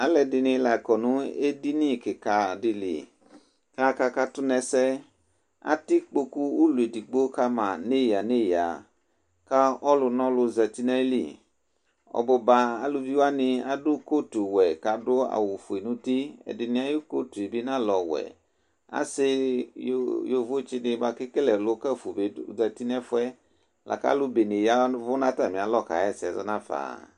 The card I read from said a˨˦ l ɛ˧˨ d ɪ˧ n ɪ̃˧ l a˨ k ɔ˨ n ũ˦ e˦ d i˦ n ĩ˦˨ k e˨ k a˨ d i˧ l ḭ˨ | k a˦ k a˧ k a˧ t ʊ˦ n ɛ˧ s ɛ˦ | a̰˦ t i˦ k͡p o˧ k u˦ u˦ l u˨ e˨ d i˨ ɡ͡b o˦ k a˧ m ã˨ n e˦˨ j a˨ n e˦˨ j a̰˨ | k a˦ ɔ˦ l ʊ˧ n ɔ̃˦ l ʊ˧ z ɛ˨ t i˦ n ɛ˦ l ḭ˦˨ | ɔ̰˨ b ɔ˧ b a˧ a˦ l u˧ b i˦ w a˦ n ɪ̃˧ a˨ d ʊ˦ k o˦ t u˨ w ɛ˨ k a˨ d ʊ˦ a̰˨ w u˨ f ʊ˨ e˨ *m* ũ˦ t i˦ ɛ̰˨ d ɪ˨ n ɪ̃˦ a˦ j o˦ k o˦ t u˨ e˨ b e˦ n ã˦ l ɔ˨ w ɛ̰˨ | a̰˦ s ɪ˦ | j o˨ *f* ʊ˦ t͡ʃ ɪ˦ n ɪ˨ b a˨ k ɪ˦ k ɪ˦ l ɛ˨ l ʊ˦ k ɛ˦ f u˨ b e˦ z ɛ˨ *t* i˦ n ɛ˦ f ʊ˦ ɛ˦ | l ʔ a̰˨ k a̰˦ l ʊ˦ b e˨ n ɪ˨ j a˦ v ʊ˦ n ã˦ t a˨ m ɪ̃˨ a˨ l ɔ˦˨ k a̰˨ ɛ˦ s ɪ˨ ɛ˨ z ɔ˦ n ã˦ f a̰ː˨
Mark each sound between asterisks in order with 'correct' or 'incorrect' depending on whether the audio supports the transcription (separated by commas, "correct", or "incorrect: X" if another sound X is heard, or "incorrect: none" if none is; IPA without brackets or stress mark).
incorrect: n, incorrect: v, correct